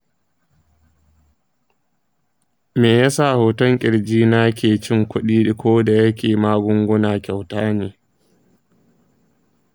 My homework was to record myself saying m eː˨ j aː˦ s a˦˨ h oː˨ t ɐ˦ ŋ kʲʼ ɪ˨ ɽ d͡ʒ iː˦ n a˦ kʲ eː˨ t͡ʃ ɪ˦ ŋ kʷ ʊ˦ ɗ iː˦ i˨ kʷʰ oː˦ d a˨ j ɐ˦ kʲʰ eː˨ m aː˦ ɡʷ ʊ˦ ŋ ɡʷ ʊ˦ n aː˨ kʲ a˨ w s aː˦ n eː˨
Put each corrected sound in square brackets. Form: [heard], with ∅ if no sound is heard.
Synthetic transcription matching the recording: m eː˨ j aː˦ s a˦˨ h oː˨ t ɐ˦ ŋ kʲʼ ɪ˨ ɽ d͡ʒ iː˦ n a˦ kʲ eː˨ t͡ʃ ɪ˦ ŋ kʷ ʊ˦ ɗ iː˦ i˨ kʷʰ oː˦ d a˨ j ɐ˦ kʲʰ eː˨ m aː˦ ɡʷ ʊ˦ ŋ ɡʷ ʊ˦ n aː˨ kʲ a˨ w [t] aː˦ n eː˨

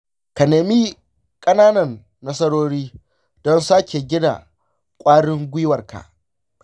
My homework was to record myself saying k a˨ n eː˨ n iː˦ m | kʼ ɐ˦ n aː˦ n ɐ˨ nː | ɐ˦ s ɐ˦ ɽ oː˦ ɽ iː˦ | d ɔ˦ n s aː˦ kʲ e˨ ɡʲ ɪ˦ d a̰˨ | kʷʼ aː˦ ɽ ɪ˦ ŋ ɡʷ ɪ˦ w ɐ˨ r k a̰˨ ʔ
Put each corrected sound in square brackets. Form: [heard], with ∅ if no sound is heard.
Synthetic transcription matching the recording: k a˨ n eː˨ [m] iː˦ [∅] | kʼ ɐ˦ n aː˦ n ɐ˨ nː | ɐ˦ s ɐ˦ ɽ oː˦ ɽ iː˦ | d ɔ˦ n s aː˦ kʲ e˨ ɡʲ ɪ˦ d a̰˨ | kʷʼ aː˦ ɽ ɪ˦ ŋ ɡʷ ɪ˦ w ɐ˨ r k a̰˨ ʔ

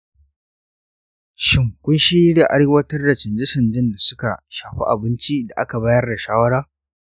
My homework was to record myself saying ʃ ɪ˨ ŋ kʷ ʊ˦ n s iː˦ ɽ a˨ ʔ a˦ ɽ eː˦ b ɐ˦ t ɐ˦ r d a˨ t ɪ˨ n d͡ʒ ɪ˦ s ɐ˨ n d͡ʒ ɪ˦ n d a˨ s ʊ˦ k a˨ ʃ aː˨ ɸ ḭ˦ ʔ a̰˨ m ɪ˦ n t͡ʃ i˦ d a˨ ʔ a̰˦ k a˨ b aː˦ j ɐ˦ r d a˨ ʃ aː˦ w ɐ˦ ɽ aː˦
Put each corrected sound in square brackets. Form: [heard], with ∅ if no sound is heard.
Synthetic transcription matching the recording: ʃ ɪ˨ ŋ kʷ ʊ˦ n [ʃ] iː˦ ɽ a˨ ʔ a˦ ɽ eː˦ [w] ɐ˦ t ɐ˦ r d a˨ [t͡ʃ] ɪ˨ n d͡ʒ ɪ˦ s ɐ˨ n d͡ʒ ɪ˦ n d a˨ s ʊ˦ k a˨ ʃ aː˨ ɸ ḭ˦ ʔ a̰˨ [b] ɪ˦ n t͡ʃ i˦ d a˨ ʔ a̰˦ k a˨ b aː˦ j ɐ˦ r d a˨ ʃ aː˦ w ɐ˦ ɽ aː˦

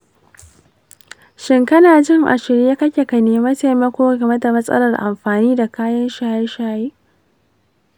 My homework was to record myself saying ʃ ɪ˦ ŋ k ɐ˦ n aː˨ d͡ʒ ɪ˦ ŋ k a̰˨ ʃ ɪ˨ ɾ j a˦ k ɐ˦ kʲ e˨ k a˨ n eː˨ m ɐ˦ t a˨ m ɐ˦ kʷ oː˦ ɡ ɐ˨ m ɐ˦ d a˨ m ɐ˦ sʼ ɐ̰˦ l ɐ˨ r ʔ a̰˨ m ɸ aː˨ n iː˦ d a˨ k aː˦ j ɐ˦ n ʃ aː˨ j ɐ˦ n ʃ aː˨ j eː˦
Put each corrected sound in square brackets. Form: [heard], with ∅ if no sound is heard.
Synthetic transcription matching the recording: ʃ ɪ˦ ŋ k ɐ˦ n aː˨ d͡ʒ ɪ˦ ŋ [ʔ] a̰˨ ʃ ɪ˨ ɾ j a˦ k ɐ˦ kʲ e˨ k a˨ n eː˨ m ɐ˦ t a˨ m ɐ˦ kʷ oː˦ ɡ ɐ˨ m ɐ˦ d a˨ m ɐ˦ sʼ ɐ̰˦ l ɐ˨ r ʔ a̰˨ m ɸ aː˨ n iː˦ d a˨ k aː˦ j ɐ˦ n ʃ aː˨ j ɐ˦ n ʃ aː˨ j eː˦

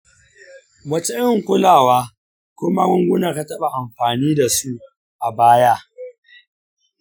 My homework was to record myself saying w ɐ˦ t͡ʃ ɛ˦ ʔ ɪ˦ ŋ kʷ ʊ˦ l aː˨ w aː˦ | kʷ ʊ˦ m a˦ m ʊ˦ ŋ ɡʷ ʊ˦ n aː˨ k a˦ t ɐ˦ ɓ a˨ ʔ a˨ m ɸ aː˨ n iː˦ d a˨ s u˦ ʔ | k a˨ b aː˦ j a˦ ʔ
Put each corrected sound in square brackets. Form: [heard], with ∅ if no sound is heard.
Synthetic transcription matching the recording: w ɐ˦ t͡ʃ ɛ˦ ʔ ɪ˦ ŋ kʷ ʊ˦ l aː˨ w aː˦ | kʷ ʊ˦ m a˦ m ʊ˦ ŋ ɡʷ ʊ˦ n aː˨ k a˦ t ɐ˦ ɓ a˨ ʔ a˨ m ɸ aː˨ n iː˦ d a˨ s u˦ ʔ | [ʔ] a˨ b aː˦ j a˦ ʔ

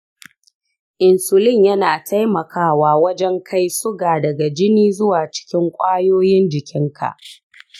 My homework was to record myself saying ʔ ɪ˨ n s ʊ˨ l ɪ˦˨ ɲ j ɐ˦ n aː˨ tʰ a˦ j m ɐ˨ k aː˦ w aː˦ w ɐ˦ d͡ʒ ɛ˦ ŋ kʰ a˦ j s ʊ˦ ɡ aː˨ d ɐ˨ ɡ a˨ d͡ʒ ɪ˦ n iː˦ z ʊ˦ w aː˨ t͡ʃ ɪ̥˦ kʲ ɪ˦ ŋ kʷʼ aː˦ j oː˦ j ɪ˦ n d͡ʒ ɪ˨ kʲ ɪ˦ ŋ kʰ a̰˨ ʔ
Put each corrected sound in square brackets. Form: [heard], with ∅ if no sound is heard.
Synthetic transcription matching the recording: ʔ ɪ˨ n s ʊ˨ l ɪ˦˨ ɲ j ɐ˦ n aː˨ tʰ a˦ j m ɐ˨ k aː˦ w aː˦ w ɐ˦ d͡ʒ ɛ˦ ŋ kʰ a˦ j s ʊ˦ ɡ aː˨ d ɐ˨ ɡ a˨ d͡ʒ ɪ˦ n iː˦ z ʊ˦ w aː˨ t͡ʃ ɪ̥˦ kʲ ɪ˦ ŋ kʷʼ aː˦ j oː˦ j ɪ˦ n d͡ʒ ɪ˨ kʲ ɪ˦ ŋ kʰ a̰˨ ʔ

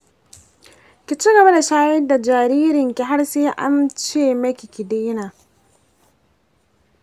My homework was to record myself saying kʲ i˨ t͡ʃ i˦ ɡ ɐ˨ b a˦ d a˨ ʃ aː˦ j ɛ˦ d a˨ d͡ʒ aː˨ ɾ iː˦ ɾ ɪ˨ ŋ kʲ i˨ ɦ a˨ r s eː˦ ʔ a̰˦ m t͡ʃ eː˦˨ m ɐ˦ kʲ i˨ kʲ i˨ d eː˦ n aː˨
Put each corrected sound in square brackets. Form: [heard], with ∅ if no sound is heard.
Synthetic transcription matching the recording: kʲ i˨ t͡ʃ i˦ ɡ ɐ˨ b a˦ d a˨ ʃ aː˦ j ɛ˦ d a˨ d͡ʒ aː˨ ɾ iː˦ ɾ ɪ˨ ŋ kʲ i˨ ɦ [a˦] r s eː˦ ʔ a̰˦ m t͡ʃ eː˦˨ m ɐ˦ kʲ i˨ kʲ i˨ d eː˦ n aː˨

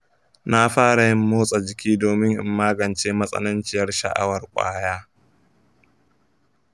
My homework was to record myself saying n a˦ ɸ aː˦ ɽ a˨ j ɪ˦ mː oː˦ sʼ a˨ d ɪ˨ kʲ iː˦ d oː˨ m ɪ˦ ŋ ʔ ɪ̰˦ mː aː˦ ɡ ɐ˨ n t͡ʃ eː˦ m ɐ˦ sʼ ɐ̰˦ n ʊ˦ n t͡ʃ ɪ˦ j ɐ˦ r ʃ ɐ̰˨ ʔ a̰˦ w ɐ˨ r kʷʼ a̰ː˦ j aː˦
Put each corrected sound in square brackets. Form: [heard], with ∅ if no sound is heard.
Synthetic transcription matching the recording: n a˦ ɸ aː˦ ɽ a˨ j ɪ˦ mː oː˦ sʼ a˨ [d͡ʒ] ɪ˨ kʲ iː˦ d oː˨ m ɪ˦ ŋ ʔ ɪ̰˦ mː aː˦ ɡ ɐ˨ n t͡ʃ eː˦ m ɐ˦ sʼ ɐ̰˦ n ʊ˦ n t͡ʃ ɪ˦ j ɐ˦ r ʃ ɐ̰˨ ʔ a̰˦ w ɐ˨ r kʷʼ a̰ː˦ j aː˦

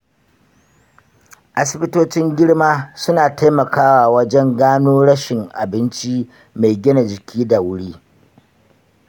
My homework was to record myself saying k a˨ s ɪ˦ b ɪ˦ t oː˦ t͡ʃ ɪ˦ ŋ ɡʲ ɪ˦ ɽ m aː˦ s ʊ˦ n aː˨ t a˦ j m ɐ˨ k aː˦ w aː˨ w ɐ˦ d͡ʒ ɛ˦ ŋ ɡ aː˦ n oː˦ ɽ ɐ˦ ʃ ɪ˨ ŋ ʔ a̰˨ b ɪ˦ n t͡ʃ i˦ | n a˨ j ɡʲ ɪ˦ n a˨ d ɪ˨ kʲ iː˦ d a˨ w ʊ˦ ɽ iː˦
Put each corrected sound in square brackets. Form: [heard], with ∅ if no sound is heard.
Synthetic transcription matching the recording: [ʔ] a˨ s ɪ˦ b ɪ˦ t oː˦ t͡ʃ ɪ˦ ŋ ɡʲ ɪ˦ ɽ m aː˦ s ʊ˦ n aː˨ t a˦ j m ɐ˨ k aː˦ w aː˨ w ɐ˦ d͡ʒ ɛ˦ ŋ ɡ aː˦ n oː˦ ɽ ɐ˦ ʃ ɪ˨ ŋ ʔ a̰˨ b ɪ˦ n t͡ʃ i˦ | [m] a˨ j ɡʲ ɪ˦ n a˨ [d͡ʒ] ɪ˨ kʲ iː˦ d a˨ w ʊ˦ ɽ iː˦

